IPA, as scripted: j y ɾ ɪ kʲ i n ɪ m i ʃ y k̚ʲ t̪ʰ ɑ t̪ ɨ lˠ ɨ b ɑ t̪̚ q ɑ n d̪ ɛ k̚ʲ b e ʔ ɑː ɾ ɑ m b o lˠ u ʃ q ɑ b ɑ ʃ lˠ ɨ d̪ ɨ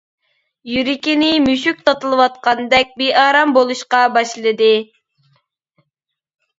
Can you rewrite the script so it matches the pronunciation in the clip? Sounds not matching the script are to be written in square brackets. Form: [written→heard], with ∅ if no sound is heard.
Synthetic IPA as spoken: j y ɾ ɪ kʲ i n ɪ m [i→y] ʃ y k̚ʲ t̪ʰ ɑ t̪ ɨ lˠ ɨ [b→w] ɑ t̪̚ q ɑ n d̪ ɛ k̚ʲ b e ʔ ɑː ɾ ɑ m b o lˠ u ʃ q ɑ b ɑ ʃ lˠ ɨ d̪ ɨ